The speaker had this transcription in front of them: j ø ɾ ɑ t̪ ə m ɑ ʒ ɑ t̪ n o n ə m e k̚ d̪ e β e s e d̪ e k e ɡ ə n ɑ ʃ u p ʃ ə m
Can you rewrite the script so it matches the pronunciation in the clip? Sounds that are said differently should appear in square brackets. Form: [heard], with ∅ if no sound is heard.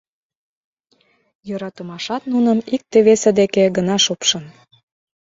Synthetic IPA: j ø ɾ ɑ t̪ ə m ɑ [ʃ] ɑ t̪ n [u] n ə m [i] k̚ [t̪] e β e s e d̪ e k e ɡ ə n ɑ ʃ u p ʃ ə [n]